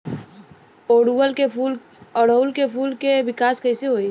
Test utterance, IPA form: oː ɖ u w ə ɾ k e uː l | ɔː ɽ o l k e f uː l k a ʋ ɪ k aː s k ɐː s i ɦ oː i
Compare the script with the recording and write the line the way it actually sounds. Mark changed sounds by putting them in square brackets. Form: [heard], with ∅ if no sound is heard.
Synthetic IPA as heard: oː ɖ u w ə [l] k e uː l | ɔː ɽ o l k e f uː l k [e] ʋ ɪ k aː s k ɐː s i ɦ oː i